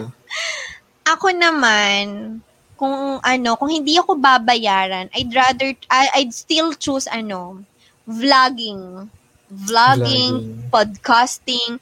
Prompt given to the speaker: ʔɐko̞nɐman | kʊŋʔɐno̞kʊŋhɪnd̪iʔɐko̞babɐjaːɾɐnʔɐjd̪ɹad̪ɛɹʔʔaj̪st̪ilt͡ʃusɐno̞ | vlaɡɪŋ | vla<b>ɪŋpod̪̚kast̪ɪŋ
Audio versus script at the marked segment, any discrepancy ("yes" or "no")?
yes